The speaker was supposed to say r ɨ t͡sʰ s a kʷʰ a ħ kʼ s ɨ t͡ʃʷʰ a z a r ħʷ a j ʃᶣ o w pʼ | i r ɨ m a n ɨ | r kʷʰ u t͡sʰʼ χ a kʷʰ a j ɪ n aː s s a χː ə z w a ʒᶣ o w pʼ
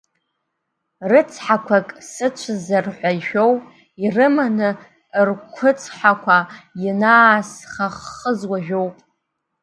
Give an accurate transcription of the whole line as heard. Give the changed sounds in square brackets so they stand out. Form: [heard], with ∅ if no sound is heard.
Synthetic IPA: r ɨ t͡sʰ [ħ] a kʷʰ a [∅] kʼ s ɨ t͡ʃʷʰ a z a r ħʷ a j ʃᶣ o w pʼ | i r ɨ m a n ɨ | r kʷʰ [ʊ] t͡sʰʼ [ħ] a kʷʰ a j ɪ n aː s [χ] a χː ə z w a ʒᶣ o w pʼ